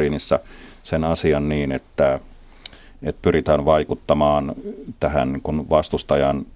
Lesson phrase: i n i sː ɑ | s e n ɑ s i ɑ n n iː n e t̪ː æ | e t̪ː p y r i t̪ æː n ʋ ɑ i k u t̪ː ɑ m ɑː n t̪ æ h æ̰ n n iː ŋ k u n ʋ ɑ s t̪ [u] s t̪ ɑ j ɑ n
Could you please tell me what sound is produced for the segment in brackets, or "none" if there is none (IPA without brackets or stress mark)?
u